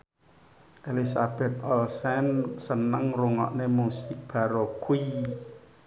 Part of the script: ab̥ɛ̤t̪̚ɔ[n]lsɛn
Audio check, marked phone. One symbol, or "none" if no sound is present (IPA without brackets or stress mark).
none